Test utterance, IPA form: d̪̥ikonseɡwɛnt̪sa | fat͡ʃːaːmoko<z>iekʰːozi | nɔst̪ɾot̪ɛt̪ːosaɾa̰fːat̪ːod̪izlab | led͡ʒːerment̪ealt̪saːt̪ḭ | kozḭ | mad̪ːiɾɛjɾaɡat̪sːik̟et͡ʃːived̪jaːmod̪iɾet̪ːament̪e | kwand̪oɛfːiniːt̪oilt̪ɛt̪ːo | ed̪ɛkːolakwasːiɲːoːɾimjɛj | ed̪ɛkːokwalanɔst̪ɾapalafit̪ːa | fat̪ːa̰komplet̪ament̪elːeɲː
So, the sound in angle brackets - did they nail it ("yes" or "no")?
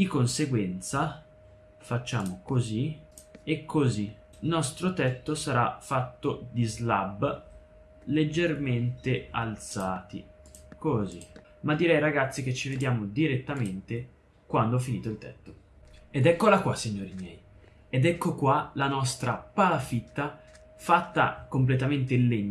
yes